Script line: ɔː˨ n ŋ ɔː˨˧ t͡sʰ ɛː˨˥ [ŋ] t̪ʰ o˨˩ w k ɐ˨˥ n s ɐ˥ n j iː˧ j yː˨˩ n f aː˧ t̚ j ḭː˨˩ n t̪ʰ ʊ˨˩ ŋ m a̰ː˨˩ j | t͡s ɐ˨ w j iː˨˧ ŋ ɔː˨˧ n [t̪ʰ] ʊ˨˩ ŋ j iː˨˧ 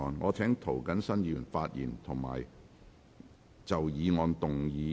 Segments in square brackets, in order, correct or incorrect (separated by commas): correct, incorrect